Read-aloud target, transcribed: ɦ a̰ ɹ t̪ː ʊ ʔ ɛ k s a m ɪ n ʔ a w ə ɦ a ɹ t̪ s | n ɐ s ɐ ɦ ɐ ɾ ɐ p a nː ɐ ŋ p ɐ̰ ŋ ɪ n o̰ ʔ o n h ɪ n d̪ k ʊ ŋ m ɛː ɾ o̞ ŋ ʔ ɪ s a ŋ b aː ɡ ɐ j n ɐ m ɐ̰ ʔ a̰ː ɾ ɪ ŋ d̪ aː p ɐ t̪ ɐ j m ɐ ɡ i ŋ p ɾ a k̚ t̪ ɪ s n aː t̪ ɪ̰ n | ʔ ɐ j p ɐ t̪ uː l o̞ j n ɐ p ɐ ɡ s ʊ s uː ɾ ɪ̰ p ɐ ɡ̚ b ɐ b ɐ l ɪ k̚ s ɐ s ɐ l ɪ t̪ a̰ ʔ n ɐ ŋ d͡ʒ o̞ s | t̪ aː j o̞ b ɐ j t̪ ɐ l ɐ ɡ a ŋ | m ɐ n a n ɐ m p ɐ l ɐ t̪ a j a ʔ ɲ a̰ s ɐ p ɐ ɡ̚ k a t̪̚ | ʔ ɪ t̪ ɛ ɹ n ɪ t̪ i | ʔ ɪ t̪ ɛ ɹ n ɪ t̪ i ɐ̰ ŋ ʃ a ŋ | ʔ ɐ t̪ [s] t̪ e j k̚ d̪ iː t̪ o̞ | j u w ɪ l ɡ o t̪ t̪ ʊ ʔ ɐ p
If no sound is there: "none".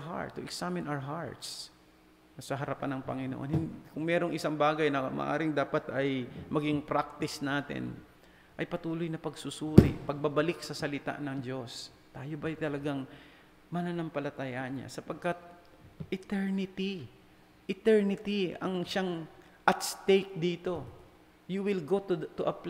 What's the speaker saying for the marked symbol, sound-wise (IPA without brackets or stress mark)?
s